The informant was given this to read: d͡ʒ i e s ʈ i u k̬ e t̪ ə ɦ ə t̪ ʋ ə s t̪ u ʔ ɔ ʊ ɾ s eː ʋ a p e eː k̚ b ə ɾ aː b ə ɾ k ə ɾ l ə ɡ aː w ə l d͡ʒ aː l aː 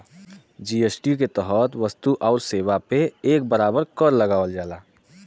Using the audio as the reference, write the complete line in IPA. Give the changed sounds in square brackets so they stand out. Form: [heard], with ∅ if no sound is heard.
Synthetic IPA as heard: d͡ʒ i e s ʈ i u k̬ e t̪ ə ɦ ə t̪ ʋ ə s t̪ u ʔ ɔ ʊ ɾ s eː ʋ a p e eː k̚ b ə ɾ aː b ə ɾ k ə ɾ l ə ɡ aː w ə l d͡ʒ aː l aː